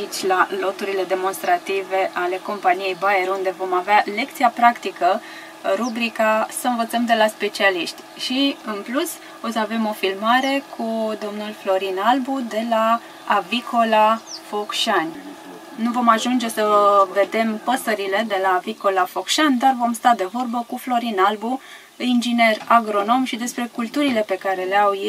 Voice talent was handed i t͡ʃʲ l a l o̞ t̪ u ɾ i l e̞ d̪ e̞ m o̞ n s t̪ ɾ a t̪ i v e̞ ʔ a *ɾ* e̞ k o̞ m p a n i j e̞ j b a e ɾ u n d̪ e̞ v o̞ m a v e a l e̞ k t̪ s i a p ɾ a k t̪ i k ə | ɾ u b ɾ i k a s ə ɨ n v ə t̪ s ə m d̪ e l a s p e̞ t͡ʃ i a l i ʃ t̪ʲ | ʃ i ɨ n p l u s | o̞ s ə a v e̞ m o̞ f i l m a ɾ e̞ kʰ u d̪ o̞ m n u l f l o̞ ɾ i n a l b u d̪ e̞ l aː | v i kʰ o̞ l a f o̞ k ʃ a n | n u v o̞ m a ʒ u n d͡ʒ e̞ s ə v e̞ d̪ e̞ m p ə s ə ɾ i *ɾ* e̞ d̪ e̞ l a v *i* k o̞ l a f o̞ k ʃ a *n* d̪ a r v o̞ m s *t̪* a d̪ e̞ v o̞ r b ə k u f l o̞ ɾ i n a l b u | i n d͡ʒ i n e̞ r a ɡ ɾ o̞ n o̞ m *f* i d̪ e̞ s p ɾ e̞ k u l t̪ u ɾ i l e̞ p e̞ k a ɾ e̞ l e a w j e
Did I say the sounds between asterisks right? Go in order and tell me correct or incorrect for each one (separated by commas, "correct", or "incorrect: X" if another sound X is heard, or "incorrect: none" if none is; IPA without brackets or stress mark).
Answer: incorrect: l, incorrect: l, correct, correct, correct, incorrect: ʃ